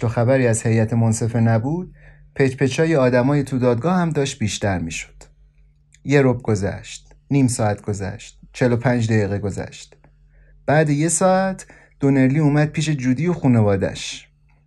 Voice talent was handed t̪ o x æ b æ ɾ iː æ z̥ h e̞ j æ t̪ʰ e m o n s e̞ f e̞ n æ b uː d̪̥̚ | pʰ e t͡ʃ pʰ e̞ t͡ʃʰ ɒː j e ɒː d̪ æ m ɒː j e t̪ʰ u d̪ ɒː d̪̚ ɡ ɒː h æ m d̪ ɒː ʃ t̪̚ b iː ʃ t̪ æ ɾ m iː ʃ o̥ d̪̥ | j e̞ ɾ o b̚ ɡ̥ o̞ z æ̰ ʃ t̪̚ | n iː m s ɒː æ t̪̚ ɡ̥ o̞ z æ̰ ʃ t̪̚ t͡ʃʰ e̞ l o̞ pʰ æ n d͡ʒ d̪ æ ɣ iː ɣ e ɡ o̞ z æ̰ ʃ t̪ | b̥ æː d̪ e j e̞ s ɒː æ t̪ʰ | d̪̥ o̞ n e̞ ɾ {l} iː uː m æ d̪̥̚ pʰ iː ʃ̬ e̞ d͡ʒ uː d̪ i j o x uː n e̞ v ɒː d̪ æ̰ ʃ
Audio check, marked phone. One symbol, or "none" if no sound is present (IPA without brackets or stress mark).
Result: l